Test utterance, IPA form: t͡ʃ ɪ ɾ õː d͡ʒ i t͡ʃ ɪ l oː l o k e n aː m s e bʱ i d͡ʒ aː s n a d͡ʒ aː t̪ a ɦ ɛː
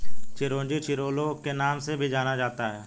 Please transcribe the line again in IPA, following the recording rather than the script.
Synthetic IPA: t͡ʃ ɪ ɾ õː d͡ʒ i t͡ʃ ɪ ɾ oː l o k e n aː m s e bʱ i d͡ʒ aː n a d͡ʒ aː t̪ a ɦ ɛː